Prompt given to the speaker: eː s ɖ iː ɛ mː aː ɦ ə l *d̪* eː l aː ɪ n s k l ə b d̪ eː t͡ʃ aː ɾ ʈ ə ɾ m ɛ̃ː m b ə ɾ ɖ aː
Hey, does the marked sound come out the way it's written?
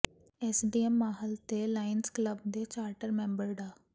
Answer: no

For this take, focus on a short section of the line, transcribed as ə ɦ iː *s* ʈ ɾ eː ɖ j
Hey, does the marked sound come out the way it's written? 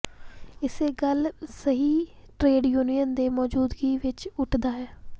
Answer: no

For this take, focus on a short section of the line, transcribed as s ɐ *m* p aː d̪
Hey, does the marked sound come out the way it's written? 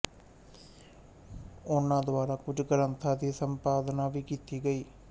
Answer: yes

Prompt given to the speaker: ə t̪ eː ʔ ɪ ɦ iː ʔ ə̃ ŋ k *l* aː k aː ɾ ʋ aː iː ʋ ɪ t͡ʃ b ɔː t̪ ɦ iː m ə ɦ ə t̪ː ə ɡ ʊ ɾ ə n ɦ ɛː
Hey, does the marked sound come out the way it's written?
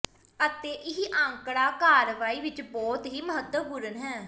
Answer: no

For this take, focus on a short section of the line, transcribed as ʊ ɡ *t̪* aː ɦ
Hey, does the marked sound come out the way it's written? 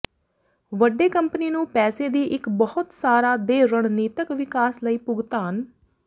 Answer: yes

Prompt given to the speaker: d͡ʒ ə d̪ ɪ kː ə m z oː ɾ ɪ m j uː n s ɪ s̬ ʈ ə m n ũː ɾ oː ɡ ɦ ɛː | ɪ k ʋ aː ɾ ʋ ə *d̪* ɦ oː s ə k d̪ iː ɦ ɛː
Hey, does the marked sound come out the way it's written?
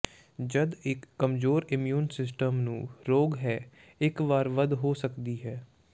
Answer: yes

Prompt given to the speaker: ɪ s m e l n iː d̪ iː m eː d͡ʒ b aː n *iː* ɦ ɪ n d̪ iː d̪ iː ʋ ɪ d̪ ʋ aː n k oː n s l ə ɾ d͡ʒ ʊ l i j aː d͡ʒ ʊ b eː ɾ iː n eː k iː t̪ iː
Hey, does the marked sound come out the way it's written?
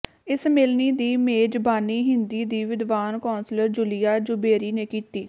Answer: yes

